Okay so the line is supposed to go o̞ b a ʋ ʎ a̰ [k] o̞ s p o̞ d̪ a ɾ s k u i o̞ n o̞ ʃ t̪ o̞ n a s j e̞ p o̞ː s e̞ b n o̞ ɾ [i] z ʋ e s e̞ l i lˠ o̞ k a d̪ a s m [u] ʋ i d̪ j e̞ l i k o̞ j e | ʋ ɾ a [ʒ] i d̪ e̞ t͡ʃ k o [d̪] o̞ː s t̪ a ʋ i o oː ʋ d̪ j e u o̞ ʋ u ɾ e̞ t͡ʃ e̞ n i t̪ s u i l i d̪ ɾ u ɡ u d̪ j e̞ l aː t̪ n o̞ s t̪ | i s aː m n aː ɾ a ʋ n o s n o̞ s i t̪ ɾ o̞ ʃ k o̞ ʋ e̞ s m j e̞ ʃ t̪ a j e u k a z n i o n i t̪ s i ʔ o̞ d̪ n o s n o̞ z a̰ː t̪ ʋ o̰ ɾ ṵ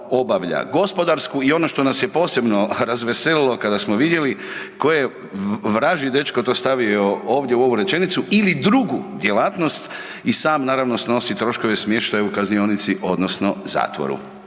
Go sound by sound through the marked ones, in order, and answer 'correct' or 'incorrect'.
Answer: incorrect: ɡ, incorrect: a, incorrect: o, correct, incorrect: t̪

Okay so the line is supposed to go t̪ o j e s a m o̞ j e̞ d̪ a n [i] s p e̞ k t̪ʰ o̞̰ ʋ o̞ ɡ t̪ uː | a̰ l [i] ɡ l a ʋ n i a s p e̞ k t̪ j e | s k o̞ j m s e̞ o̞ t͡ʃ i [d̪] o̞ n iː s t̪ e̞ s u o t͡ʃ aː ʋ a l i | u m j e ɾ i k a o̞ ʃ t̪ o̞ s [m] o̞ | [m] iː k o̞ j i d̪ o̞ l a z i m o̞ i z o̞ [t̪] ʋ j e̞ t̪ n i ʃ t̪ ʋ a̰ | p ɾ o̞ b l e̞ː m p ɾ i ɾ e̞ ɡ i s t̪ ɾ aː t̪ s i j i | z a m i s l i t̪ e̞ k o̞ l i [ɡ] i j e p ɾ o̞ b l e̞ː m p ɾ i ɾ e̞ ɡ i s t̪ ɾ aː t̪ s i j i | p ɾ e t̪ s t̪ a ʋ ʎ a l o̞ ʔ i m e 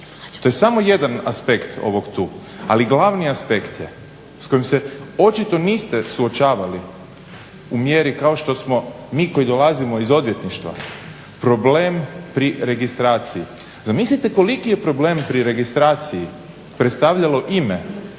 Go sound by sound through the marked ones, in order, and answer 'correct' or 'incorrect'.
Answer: incorrect: a, correct, incorrect: t̪, correct, correct, incorrect: d̪, incorrect: k

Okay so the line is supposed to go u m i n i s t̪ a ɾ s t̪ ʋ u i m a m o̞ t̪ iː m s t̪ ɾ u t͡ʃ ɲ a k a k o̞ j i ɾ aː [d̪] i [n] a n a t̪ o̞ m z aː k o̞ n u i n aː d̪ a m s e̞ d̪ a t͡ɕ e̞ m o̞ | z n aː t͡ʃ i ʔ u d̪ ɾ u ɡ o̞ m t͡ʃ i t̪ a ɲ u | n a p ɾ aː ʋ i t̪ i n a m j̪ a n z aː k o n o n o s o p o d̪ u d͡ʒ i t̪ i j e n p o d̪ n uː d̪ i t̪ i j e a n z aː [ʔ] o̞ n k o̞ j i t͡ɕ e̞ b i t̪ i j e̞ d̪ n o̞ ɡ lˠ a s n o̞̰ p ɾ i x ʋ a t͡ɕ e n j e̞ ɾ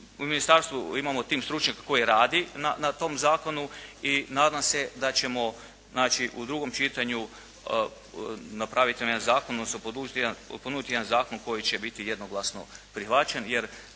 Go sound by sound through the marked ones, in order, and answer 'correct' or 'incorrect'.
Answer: correct, correct, incorrect: k

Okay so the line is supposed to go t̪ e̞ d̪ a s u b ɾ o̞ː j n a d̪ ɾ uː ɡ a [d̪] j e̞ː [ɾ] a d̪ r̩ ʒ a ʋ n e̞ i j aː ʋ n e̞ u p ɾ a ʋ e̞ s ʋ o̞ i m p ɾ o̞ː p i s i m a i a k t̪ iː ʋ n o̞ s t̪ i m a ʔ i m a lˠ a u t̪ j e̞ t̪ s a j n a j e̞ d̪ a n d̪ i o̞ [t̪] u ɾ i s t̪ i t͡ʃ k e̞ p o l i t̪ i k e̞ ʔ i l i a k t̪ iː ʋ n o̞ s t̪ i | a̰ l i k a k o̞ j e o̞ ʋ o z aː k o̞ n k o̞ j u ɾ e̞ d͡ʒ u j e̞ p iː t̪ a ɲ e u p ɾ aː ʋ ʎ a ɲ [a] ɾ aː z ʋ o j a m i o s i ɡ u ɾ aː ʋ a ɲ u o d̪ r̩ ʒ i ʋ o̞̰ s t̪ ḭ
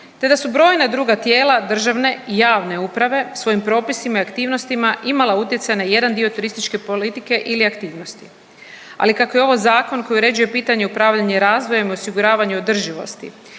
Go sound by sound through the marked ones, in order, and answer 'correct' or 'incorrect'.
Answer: incorrect: t̪, incorrect: l, correct, incorrect: e

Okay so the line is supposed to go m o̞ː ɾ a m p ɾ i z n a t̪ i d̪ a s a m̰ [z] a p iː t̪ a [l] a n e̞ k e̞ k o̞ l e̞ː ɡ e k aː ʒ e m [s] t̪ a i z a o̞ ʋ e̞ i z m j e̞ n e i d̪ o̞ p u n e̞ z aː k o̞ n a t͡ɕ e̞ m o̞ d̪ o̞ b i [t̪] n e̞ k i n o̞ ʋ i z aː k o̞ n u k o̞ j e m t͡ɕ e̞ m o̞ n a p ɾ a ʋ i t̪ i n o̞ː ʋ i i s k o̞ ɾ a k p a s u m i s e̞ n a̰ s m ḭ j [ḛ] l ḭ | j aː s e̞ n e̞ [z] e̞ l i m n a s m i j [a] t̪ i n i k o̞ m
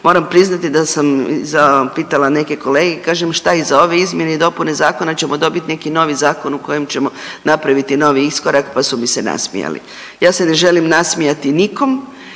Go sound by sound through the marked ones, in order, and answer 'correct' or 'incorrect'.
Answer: correct, correct, incorrect: ʃ, correct, incorrect: a̰, incorrect: ʒ, correct

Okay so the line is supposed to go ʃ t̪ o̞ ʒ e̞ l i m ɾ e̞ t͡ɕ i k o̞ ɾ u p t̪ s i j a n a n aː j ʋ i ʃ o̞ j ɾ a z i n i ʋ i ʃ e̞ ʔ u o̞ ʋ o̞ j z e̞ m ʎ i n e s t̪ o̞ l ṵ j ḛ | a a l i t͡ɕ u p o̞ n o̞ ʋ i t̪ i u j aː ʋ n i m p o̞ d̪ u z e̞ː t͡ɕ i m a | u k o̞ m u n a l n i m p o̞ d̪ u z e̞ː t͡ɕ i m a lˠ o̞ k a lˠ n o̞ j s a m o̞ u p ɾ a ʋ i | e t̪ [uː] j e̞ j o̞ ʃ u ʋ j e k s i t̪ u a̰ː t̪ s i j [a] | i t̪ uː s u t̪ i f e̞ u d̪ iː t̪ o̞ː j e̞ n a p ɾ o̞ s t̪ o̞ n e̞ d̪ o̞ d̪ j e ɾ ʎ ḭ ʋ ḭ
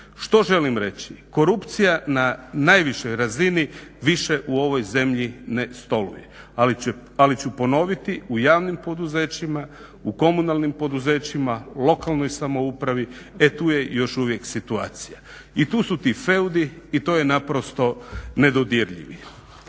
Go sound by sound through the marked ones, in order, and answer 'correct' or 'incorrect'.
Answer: correct, correct

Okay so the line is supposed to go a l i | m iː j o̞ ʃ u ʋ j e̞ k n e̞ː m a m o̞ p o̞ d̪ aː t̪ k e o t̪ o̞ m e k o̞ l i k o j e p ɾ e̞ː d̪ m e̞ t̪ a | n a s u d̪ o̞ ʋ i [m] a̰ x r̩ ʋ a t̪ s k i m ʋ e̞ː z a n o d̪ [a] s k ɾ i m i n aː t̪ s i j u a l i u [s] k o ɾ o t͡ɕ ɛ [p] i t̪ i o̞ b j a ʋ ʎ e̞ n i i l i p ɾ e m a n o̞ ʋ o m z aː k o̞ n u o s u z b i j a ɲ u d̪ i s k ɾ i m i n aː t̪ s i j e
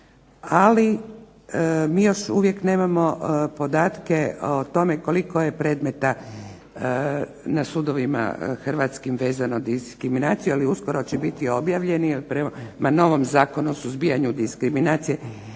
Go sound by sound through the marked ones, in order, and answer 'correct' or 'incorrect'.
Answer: correct, incorrect: i, correct, incorrect: b

